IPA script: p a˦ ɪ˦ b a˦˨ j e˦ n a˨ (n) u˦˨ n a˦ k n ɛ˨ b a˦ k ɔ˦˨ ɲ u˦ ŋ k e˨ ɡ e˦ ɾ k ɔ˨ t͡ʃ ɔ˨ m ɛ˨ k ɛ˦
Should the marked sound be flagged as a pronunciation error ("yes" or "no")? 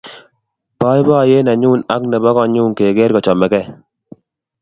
yes